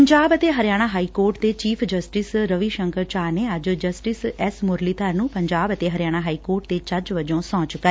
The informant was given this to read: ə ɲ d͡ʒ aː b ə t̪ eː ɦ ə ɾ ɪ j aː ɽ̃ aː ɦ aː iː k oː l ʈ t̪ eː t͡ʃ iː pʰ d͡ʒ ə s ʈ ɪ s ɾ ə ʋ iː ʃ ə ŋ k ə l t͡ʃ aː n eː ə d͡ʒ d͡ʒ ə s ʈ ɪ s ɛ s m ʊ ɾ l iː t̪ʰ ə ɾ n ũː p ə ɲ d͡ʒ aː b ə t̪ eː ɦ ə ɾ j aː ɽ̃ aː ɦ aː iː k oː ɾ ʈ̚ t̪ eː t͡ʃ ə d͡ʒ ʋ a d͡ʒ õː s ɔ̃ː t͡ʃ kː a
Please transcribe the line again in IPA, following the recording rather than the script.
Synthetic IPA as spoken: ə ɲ d͡ʒ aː b ə t̪ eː ɦ ə ɾ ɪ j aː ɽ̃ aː ɦ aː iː k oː ɾ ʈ t̪ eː t͡ʃ iː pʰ d͡ʒ ə s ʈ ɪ s ɾ ə ʋ iː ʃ ə ŋ k ə ɾ t͡ʃ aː n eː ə d͡ʒ d͡ʒ ə s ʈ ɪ s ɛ s m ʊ ɾ l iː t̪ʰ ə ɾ n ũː p ə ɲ d͡ʒ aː b ə t̪ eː ɦ ə ɾ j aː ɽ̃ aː ɦ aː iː k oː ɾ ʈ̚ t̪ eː t͡ʃ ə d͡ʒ ʋ ə d͡ʒ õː s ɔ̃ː t͡ʃ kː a